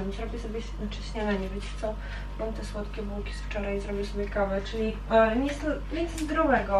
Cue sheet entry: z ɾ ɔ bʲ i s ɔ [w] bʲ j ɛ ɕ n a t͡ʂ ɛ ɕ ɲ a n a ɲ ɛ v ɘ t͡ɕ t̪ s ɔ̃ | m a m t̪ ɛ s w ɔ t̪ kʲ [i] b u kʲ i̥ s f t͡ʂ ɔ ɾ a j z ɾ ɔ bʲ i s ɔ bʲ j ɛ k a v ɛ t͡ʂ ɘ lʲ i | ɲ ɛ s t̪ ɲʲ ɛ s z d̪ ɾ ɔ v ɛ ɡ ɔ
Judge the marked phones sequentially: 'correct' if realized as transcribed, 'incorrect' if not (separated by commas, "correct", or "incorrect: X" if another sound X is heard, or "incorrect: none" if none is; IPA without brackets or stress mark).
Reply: incorrect: none, incorrect: ɛ